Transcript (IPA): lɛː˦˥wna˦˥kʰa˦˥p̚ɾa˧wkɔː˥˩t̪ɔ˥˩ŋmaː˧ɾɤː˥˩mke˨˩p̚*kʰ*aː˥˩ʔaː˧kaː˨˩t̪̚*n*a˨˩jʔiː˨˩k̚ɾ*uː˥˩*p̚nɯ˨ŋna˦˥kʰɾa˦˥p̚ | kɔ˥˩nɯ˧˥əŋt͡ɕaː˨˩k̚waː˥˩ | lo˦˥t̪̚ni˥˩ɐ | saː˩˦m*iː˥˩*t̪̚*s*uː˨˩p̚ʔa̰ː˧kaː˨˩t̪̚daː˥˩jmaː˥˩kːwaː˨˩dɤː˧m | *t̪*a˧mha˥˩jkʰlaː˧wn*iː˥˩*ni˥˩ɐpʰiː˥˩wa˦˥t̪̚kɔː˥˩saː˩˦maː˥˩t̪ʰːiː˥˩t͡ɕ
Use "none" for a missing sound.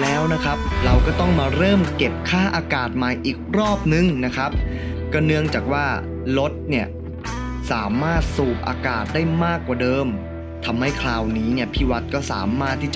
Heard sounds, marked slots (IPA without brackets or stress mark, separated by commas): kʰ, m, ɔː˥˩, aː˥˩, s, t̪ʰ, iː˦˥